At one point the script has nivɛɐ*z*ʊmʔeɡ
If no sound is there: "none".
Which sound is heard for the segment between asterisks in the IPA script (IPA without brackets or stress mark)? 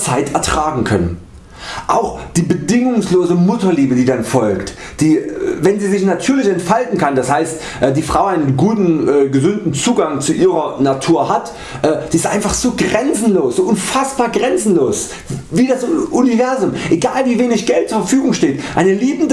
z